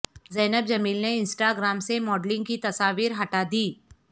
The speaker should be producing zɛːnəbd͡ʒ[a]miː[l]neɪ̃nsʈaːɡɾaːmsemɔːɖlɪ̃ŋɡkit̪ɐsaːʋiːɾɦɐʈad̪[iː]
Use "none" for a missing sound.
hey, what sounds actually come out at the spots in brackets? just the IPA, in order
ɐ, l, iː

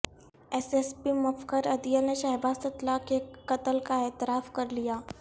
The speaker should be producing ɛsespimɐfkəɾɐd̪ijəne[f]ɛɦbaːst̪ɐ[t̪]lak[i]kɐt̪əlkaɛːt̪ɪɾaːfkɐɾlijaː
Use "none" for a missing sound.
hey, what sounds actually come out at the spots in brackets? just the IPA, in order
ʃ, t̪, e

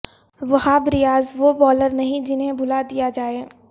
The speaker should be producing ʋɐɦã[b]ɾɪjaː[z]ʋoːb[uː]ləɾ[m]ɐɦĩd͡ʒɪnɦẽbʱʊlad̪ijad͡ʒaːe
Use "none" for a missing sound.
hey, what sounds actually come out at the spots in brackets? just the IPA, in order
b, z, ɔː, n

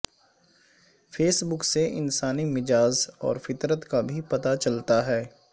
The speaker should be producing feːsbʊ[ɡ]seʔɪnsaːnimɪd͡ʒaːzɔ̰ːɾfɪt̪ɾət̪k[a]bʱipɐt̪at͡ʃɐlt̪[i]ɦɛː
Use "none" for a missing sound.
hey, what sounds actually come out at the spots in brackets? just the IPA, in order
k, a, a

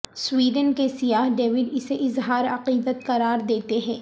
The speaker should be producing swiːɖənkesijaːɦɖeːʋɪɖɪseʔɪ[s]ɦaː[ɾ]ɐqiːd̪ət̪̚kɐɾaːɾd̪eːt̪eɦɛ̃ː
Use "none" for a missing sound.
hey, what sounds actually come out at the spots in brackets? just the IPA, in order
z, ɾ

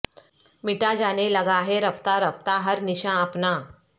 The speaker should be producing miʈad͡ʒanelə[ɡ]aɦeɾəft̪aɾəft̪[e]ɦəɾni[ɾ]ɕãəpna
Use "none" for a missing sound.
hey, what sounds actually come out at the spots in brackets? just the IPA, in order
ɡ, a, none

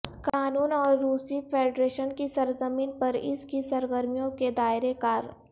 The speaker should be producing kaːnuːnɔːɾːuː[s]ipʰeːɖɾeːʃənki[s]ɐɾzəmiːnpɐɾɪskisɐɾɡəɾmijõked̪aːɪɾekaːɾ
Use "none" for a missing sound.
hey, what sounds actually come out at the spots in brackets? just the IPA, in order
s, s

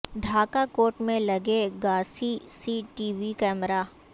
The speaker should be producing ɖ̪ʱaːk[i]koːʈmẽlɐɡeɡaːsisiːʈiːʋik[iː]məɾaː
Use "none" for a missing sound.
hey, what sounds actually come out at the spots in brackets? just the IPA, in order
a, ɛː

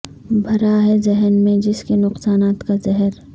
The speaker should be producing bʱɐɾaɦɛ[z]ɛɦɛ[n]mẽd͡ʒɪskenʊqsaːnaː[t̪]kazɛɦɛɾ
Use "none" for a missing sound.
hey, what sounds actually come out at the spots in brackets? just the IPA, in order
z, n, t̪

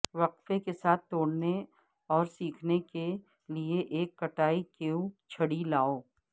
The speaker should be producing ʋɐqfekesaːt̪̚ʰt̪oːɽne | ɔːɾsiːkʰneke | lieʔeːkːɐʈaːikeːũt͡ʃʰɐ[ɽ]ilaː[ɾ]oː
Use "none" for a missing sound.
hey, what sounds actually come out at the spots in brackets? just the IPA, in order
ɽ, none

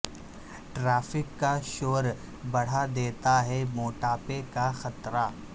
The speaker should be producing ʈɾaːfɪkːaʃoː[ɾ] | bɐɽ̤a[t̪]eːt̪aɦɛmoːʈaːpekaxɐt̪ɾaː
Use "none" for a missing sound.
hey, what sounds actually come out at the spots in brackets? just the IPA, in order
ɾ, d̪

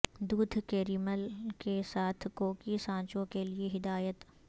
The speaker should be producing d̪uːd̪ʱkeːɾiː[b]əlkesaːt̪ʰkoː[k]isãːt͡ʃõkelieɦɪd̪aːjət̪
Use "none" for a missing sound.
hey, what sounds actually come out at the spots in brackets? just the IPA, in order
m, k

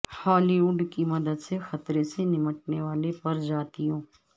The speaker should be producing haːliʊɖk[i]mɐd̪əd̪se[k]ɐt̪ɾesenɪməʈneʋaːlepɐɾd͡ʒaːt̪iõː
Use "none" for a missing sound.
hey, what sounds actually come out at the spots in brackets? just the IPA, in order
i, x

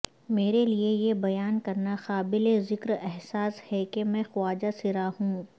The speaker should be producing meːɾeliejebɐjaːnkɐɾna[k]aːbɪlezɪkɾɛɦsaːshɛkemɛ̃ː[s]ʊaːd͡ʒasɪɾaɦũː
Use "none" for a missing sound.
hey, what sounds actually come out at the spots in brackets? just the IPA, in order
x, x

